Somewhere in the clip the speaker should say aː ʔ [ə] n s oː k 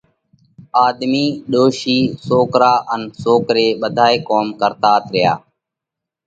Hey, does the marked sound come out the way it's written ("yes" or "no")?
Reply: yes